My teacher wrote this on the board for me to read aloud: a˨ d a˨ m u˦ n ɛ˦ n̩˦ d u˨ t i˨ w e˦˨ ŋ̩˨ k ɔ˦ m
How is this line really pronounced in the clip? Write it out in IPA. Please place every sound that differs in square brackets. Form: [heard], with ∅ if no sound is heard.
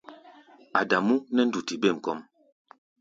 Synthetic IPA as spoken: a˨ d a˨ m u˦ n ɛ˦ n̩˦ d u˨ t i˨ [b] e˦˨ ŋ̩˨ k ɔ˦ m